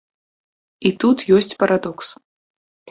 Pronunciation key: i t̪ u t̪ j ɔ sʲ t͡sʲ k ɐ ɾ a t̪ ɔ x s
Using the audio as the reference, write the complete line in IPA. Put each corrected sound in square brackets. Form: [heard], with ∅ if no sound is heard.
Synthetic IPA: i t̪ u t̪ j ɔ sʲ t͡sʲ [p] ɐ ɾ a [d̪] ɔ [k] s